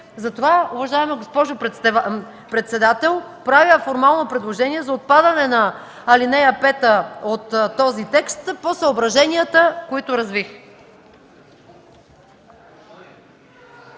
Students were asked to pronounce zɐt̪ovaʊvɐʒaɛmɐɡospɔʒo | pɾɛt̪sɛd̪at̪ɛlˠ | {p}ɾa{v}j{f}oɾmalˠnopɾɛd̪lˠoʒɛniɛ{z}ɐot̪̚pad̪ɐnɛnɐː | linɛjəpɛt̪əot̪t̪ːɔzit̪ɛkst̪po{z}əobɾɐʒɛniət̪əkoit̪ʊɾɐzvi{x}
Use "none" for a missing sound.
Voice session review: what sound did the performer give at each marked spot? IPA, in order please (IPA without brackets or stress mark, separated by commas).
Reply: p, v, f, z, s, x